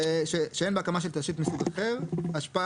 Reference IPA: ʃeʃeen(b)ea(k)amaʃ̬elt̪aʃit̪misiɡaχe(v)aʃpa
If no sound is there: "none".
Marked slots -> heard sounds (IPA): b, k, v

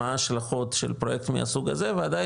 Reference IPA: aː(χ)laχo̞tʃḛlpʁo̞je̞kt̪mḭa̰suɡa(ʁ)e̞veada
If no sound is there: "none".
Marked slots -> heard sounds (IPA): ʃ, z

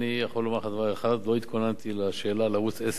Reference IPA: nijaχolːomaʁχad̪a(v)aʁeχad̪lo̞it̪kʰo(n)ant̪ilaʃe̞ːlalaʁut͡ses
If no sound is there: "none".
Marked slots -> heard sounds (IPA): v, n

